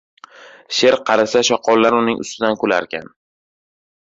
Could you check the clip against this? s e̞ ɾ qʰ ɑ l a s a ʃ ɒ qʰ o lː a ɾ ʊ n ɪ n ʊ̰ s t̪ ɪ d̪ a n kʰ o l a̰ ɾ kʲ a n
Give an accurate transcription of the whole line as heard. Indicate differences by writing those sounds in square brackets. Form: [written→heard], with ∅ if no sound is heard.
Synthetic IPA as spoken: [s→ʃ] e̞ ɾ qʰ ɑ [l→ɾ] a s a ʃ ɒ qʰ [o→ɒ] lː a ɾ ʊ n ɪ [n→ŋ] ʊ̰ s t̪ ɪ d̪ a n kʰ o l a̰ ɾ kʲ a n